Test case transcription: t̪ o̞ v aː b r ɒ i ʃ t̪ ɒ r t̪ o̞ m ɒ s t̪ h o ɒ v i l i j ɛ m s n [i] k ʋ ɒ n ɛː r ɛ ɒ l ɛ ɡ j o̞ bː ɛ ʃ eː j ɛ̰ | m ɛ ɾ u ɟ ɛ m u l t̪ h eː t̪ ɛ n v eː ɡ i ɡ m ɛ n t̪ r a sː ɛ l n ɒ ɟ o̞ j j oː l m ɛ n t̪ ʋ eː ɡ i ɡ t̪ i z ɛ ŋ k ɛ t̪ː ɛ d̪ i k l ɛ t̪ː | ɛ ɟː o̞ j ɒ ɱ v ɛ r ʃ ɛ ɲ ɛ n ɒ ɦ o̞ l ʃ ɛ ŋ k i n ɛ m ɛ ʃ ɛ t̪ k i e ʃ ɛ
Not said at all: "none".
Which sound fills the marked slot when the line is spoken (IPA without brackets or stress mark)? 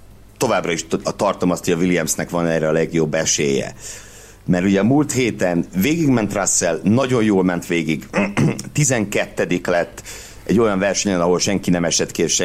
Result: ɛ